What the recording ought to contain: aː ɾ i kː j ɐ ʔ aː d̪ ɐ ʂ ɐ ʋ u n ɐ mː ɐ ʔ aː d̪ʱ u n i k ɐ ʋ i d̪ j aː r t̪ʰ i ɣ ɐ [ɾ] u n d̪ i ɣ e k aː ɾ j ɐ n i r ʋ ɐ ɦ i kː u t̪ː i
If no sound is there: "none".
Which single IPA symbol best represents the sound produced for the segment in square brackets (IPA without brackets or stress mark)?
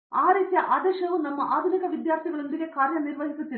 ɭ